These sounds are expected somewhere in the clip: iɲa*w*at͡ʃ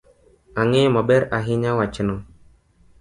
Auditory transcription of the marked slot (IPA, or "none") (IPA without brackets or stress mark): w